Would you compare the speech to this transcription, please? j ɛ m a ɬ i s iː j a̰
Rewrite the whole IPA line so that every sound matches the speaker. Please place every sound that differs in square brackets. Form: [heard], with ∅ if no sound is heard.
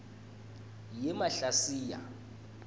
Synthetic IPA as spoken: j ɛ m a ɬ [a] s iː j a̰